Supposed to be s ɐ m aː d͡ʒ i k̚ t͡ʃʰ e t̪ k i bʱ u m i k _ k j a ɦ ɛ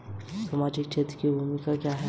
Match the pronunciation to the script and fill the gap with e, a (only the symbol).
a